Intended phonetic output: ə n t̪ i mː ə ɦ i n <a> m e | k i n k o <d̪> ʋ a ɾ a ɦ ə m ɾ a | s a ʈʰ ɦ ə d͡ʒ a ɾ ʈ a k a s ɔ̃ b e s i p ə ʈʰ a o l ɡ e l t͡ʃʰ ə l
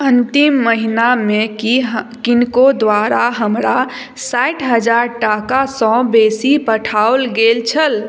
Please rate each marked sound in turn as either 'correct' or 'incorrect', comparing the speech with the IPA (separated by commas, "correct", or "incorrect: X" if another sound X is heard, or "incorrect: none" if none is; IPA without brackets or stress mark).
correct, correct